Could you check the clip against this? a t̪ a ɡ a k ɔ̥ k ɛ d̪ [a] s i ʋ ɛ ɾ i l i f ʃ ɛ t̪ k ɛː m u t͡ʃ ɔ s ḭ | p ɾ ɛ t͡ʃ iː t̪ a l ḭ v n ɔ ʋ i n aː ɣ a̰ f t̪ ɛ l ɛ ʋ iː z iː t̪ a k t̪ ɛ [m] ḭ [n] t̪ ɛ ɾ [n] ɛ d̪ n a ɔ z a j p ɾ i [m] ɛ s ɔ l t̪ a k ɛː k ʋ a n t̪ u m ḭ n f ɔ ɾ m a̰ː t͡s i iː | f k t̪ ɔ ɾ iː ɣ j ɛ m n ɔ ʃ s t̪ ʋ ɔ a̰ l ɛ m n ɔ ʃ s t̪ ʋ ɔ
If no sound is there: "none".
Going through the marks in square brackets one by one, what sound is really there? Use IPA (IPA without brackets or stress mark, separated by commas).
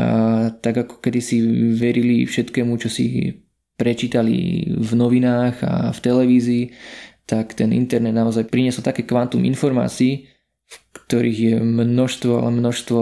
i, n, n, n, ɲ